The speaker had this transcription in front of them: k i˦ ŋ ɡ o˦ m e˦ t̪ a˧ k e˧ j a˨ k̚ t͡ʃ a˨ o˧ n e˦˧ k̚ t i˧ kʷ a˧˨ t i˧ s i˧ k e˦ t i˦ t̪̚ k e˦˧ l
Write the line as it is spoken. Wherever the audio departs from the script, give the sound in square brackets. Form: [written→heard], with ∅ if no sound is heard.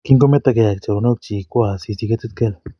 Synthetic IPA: k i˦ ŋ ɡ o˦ m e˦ t̪ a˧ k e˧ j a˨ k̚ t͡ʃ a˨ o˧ n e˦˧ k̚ [t→t͡ʃ] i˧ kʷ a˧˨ [t→s] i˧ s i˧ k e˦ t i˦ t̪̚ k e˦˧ l